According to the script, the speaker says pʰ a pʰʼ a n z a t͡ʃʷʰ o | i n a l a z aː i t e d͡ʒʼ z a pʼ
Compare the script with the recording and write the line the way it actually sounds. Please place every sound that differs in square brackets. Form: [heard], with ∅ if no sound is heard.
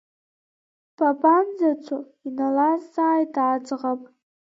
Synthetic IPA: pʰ a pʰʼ a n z a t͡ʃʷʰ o | i n a l a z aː [j] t [a] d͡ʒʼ [ʁ] a pʼ